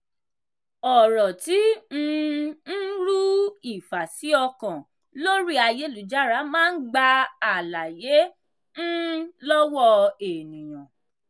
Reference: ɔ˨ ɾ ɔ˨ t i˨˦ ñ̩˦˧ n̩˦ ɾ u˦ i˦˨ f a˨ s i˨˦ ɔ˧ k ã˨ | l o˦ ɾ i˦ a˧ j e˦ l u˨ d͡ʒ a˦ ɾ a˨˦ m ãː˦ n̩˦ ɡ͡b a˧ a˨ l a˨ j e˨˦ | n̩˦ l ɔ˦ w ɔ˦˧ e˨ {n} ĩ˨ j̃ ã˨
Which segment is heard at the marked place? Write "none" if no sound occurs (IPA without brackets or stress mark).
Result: n